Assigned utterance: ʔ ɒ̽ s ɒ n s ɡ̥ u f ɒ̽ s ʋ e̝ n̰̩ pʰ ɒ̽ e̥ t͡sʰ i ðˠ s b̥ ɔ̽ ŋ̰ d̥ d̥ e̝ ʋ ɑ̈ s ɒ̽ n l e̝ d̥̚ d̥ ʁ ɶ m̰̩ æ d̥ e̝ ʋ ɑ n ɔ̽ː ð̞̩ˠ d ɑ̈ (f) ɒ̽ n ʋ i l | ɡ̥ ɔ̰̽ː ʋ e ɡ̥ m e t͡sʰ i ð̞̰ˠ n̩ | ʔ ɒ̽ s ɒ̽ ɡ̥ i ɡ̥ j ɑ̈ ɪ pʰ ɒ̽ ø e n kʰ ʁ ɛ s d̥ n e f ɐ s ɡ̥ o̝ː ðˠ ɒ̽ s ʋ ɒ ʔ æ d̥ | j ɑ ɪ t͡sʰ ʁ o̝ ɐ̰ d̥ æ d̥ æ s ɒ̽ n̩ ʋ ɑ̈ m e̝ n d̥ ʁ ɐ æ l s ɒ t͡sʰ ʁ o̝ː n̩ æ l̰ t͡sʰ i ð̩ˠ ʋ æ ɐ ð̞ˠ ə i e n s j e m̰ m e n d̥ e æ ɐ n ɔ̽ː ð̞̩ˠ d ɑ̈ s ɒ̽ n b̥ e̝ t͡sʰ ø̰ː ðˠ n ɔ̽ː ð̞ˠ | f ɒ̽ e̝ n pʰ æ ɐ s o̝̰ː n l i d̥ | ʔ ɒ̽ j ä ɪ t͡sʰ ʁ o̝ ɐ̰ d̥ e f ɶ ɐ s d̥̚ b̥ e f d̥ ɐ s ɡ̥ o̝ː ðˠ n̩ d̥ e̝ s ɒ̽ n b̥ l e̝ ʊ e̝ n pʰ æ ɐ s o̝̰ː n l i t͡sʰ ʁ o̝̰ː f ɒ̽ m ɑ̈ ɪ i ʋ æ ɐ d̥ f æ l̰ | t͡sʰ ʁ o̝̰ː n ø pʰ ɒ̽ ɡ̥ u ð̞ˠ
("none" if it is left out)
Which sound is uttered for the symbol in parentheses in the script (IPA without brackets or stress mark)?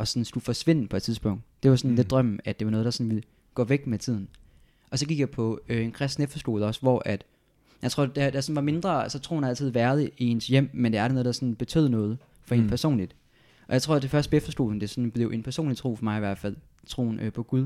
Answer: s